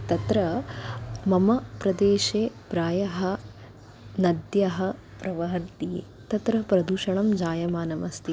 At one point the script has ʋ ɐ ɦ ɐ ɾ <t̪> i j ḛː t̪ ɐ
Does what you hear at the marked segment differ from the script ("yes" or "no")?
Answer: no